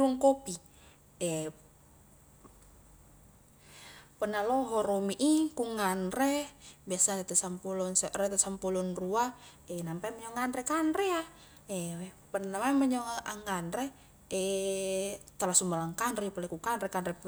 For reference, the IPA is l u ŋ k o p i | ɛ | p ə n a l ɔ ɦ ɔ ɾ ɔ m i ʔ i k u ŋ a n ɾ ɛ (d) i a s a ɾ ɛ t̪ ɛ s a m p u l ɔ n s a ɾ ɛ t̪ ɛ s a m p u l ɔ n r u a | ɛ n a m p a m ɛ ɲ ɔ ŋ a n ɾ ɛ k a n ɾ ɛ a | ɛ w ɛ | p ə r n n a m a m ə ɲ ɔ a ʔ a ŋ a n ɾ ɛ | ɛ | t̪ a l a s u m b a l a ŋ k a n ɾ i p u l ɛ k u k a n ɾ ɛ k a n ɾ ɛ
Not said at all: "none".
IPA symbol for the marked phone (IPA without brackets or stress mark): b